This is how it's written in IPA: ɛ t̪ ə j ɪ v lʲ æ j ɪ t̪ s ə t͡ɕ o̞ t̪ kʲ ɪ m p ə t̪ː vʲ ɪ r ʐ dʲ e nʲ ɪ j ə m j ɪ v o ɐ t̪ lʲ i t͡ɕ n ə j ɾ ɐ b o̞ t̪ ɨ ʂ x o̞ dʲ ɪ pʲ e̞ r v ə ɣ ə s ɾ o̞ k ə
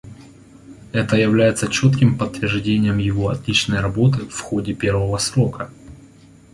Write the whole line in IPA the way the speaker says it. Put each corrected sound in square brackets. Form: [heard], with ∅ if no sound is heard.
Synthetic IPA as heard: ɛ t̪ ə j ɪ v lʲ æ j ɪ t̪ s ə t͡ɕ o̞ t̪ kʲ ɪ m p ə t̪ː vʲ ɪ r ʐ dʲ e nʲ ɪ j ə m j ɪ v o ɐ t̪ lʲ i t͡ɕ n ə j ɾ ɐ b o̞ t̪ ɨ [f] x o̞ dʲ ɪ pʲ e̞ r v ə [v] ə s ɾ o̞ k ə